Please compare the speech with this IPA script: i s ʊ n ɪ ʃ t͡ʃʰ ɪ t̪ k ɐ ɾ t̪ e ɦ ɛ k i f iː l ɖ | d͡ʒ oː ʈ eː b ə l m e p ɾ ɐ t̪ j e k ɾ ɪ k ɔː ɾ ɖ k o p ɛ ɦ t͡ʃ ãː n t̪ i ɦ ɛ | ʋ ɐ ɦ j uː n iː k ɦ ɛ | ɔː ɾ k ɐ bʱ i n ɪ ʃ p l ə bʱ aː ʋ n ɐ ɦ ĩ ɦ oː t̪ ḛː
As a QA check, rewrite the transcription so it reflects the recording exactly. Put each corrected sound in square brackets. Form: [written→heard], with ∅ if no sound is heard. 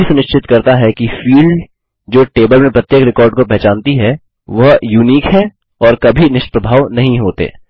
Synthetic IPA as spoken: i s ʊ n ɪ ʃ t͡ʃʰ ɪ t̪ k ɐ ɾ t̪ [e→a] ɦ ɛ k i f iː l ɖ | d͡ʒ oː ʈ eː b ə l m [e→ẽ] p ɾ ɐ t̪ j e k ɾ ɪ k ɔː ɾ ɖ k o p ɛ ɦ t͡ʃ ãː n t̪ i ɦ ɛ | ʋ ɐ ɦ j uː n iː k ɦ ɛ | ɔː ɾ k ɐ bʱ i n ɪ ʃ p [l→ɾ] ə bʱ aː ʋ n ɐ ɦ ĩ ɦ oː t̪ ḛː

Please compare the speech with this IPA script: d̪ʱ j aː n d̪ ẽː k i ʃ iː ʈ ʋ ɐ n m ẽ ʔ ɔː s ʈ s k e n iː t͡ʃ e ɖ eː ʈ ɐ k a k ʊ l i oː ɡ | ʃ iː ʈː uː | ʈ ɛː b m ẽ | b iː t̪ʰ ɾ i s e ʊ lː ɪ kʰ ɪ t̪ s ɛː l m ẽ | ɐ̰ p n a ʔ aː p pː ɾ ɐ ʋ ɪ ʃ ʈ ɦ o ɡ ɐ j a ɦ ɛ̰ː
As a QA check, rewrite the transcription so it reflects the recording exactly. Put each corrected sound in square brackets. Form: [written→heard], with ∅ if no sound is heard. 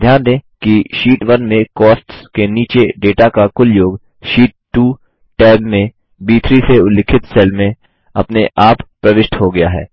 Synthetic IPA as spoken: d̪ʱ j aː n d̪ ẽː k i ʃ iː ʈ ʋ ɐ n m ẽ [ʔ→k] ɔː s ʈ s k e n iː t͡ʃ e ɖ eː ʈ [ɐ→a] k a k ʊ l [i→j] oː ɡ | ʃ iː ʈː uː | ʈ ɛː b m ẽ | b iː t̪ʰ ɾ i s e ʊ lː ɪ kʰ ɪ t̪ s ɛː l m ẽ | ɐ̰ p n [a→e] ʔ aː p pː ɾ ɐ ʋ ɪ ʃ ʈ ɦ o ɡ ɐ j a ɦ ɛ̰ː

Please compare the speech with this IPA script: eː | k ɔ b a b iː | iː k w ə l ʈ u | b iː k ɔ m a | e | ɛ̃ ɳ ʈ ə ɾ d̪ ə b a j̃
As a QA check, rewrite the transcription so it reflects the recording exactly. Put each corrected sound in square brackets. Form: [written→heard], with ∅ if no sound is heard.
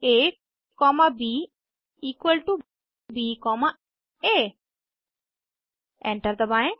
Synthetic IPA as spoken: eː | k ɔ [b→m] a b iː | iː k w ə l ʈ u | b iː k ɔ m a | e | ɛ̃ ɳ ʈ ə ɾ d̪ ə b a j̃

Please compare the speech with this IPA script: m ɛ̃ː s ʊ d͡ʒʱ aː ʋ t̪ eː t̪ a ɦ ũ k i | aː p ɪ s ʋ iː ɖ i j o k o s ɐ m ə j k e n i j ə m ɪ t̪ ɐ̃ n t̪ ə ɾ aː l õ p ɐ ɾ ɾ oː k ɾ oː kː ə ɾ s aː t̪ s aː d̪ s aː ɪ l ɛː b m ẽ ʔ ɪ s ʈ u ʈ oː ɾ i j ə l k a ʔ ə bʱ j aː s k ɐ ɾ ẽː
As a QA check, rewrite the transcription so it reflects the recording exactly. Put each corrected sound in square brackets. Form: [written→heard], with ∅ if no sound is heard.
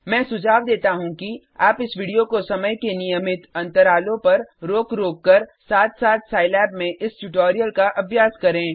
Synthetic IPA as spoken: m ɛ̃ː s ʊ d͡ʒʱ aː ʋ [t̪→d̪] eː t̪ a ɦ ũ k i | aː p ɪ s ʋ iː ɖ i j o k o s ɐ m ə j k e n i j ə m ɪ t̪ ɐ̃ n t̪ ə ɾ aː l õ p ɐ ɾ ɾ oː k ɾ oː kː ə ɾ s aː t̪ s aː [d̪→t̪] s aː ɪ l ɛː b m ẽ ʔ ɪ s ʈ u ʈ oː ɾ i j ə l k a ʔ [ə→ɐ] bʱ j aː s k ɐ ɾ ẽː

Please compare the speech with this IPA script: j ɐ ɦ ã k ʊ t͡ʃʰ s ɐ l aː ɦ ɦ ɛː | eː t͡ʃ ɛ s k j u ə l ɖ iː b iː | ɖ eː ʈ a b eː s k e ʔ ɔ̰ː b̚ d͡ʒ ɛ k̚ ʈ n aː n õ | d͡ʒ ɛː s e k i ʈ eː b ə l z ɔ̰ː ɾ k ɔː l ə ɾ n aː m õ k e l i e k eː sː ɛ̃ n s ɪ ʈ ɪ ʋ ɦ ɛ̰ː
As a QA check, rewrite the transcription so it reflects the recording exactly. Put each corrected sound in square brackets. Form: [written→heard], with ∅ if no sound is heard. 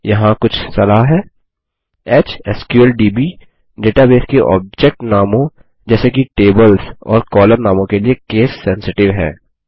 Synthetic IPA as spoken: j ɐ ɦ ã k ʊ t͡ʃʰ s ɐ l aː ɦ ɦ ɛː | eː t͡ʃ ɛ s k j u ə l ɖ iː b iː | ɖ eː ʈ a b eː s k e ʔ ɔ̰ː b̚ d͡ʒ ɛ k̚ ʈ n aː [n→m] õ | d͡ʒ ɛː s e k i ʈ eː b ə l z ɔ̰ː ɾ k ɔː l ə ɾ n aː m õ k e l i e k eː sː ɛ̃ n s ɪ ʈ ɪ ʋ ɦ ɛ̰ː

